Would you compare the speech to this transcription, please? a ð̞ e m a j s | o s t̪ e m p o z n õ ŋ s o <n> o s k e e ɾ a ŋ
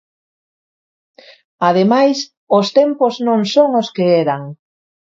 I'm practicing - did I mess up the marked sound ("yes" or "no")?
yes